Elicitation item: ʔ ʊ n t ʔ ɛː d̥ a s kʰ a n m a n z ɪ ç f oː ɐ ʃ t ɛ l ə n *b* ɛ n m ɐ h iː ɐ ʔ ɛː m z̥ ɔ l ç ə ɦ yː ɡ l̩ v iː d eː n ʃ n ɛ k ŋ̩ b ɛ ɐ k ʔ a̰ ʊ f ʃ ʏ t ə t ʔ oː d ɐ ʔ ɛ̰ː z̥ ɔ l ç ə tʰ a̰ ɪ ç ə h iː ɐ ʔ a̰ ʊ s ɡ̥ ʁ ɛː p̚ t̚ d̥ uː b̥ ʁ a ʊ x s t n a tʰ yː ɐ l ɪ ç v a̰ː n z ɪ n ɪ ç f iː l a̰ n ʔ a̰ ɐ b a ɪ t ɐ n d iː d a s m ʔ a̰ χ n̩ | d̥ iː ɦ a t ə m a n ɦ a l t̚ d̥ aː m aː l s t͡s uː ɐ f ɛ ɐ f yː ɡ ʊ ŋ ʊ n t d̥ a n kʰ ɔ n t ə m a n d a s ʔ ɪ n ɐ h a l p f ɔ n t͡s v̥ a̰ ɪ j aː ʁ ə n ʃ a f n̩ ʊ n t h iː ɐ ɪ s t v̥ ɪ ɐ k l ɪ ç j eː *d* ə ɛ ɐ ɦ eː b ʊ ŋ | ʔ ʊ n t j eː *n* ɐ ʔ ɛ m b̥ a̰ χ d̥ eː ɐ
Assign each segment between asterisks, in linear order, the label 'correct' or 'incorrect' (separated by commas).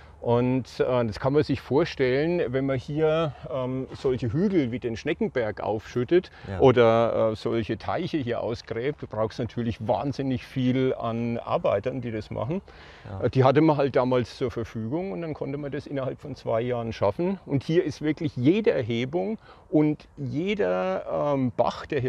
incorrect, correct, incorrect